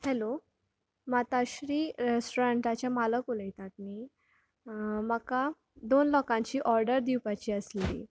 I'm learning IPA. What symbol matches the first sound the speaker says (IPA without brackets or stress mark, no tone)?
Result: h